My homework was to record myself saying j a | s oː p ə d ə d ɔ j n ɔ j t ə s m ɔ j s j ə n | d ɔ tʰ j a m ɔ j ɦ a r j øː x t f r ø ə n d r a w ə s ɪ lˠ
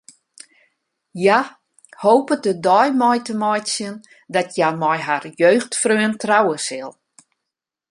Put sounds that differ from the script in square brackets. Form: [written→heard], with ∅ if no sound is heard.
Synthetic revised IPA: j a | [s→h] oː p ə d ə d ɔ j [n→m] ɔ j t ə [s→∅] m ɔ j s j ə n | d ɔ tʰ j a m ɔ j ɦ a r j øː x t f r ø ə n [d→t] r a w ə s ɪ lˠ